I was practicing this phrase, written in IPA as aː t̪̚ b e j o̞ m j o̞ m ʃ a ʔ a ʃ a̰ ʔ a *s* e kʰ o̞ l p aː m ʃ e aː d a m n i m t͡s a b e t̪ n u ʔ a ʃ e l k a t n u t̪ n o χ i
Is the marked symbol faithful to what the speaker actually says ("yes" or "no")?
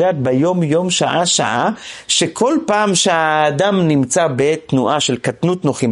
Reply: no